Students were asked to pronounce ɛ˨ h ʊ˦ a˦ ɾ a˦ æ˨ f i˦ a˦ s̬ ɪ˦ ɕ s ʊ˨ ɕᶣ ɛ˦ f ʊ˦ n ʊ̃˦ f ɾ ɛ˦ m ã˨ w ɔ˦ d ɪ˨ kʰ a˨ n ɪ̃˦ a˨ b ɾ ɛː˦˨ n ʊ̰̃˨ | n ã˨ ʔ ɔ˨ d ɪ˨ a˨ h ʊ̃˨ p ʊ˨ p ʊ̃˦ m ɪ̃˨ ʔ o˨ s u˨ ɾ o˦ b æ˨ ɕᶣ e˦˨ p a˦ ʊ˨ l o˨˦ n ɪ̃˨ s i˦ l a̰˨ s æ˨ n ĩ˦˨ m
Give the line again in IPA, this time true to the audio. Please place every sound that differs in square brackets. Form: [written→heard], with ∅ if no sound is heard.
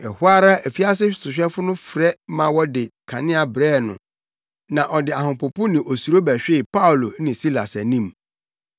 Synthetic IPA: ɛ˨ h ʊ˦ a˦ ɾ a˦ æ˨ f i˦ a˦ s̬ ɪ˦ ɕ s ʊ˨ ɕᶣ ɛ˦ f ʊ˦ n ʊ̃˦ f ɾ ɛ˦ m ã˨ w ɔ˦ d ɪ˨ kʰ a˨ n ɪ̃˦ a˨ b ɾ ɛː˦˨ n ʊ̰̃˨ | n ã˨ ʔ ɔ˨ d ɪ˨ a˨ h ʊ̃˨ p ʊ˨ p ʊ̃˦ [m→n] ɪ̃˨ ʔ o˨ s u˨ ɾ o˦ b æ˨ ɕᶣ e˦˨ p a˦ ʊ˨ l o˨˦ n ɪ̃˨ s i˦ l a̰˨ s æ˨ n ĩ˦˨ m